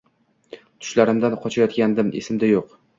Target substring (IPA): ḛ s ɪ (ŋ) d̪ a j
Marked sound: incorrect: m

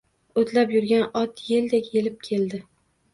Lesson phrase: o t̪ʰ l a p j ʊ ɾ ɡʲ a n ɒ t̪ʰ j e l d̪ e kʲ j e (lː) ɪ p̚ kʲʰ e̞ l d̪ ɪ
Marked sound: incorrect: l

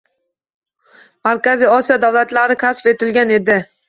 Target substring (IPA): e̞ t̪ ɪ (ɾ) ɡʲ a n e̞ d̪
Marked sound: incorrect: l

